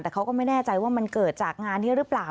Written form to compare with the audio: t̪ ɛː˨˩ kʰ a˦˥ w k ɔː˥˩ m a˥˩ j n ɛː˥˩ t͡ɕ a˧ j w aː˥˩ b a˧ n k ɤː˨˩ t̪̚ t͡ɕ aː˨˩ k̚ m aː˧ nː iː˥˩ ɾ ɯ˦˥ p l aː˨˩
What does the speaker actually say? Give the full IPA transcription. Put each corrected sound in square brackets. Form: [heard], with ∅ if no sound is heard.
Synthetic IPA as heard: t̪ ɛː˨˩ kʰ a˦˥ w k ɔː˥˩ m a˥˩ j n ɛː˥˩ t͡ɕ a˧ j w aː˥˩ [m] a˧ n k ɤː˨˩ t̪̚ t͡ɕ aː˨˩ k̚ [ŋ] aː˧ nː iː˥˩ ɾ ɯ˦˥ p l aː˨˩